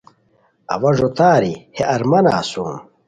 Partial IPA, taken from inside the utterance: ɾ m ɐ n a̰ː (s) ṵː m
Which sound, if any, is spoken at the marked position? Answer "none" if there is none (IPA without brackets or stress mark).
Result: s